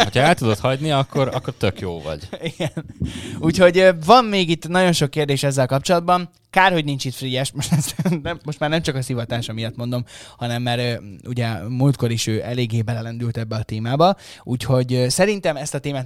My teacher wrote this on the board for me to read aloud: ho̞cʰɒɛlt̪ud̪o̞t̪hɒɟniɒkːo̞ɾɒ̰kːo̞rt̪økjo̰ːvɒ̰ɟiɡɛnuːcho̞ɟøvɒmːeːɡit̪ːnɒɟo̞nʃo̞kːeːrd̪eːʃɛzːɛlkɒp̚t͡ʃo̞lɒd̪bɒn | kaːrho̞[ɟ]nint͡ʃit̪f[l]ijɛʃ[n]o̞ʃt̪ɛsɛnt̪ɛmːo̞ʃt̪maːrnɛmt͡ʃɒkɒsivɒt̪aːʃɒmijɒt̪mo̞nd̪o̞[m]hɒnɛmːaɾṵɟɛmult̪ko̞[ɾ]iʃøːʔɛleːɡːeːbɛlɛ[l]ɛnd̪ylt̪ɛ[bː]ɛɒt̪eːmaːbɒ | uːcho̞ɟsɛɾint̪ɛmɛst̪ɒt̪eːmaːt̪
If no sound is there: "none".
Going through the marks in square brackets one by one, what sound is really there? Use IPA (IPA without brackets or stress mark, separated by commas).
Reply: ɟ, r, m, m, ɾ, l, bː